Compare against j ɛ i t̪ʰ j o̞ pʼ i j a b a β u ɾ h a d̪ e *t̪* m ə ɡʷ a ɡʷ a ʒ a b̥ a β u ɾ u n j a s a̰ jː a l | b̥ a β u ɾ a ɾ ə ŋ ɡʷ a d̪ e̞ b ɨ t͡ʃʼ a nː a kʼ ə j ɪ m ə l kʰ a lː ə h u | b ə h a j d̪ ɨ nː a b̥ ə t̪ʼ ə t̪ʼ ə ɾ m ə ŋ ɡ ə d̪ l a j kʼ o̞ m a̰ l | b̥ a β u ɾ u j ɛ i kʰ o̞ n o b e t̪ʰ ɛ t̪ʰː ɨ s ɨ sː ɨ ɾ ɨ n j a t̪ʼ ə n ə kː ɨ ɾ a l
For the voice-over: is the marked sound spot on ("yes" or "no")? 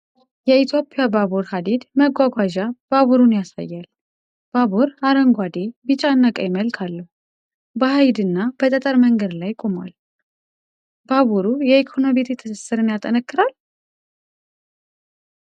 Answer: no